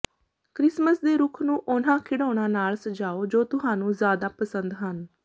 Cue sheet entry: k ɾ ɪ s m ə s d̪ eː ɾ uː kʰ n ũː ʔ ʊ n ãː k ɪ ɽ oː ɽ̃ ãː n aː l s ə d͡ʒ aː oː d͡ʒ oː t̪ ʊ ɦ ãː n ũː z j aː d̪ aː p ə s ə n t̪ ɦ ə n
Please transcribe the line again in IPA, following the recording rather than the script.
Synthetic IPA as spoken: k ɾ ɪ s m ə s d̪ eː ɾ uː kʰ n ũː ʔ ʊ n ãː kʰ ɪ ɽ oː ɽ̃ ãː n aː l s ə d͡ʒ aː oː d͡ʒ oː t̪ ʊ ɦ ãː n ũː z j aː d̪ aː p ə s ə n d̪ ɦ ə n